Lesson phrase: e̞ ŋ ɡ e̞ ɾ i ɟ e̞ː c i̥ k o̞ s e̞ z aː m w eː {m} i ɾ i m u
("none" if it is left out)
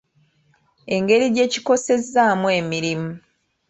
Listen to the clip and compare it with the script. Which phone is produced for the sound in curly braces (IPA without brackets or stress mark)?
m